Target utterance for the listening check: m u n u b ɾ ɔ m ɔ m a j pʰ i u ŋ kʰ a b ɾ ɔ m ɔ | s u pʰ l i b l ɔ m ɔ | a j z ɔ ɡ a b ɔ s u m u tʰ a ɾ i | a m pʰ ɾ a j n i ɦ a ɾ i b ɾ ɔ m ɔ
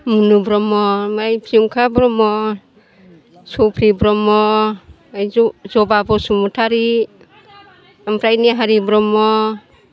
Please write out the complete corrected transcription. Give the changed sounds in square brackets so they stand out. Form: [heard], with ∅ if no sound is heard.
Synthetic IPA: m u n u b ɾ ɔ m ɔ m a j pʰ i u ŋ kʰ a b ɾ ɔ m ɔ | s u pʰ [ɾ] i b [ɾ] ɔ m ɔ | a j z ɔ [b] a b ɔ s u m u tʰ a ɾ i | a m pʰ ɾ a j n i ɦ a ɾ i b ɾ ɔ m ɔ